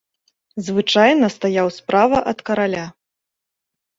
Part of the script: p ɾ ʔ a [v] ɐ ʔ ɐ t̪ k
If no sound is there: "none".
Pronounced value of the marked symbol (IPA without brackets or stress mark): v